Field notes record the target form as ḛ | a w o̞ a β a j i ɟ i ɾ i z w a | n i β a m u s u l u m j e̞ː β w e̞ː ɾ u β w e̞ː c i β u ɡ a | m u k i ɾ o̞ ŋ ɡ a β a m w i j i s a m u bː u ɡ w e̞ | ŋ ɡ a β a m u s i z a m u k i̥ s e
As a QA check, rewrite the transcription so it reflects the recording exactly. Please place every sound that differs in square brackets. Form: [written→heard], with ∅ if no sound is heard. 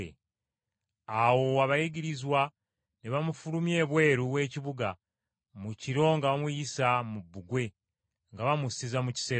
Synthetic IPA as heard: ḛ | a w o̞ a β a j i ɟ i ɾ i z w a | n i β a m u [s→f] u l u m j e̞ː β w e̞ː ɾ u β w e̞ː c i β u ɡ a | m u [k→c] i ɾ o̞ ŋ ɡ a β a m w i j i s a m u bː u ɡ w e̞ | ŋ ɡ a β a m u s i z a m u [k→c] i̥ s e